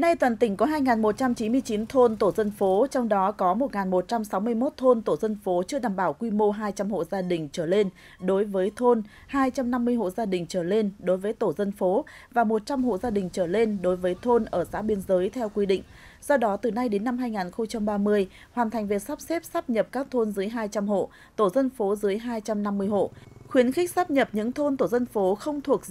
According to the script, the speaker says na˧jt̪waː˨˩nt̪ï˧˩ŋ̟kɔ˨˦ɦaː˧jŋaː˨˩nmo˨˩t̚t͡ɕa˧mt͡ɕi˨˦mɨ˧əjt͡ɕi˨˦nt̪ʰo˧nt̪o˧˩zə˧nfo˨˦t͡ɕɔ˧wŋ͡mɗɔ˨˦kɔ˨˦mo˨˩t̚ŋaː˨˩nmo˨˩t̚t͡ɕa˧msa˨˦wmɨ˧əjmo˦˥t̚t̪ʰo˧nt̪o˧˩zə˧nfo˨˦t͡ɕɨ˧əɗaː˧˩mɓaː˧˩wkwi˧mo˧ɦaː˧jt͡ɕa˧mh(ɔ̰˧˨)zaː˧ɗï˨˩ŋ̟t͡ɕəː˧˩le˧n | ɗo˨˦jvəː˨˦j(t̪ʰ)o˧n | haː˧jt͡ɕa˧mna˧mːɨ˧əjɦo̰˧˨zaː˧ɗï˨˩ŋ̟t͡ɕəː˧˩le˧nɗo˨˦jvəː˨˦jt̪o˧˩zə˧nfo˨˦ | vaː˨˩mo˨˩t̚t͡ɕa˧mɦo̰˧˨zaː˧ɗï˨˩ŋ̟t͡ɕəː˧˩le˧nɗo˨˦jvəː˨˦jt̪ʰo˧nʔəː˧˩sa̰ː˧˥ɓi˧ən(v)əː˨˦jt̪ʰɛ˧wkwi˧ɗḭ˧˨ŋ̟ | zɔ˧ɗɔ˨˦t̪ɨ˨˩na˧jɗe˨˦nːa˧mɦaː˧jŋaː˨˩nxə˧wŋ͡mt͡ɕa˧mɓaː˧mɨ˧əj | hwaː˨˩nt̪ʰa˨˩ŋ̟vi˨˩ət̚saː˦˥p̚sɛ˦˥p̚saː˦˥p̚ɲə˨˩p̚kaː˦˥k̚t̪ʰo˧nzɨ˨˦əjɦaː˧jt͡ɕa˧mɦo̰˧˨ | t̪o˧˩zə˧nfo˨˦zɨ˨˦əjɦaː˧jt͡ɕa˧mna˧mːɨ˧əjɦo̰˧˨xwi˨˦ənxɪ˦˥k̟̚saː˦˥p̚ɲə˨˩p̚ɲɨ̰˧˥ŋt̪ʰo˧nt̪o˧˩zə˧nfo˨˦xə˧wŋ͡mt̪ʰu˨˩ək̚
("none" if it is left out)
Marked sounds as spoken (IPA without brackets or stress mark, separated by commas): o̰˧˨, t̪ʰ, z